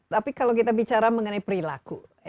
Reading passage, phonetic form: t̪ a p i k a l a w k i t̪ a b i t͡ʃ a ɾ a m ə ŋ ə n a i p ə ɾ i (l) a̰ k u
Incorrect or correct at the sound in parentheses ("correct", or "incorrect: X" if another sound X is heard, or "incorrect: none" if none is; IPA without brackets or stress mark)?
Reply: correct